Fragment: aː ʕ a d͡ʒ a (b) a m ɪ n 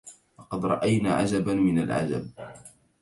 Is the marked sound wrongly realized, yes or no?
no